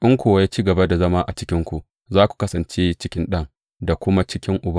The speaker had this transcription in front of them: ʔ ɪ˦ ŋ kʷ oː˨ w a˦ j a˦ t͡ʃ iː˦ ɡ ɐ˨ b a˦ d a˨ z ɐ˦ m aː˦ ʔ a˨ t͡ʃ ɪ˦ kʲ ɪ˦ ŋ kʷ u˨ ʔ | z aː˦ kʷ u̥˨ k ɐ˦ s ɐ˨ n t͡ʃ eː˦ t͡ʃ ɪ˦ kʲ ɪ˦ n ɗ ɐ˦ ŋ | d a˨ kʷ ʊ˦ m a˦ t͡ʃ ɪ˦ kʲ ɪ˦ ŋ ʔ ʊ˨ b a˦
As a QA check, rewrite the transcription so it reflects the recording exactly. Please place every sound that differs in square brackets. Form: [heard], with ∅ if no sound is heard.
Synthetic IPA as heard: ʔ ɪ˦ ŋ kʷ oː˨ w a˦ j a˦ t͡ʃ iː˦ ɡ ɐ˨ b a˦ d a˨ z ɐ˦ m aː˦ ʔ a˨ t͡ʃ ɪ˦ kʲ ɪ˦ ŋ kʷ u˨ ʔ | z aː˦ kʷ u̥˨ k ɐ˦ s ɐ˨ n t͡ʃ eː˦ t͡ʃ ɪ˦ kʲ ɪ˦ n ɗ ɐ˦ ŋ | d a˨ kʷ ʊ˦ m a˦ t͡ʃ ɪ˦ kʲ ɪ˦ ŋ ʔ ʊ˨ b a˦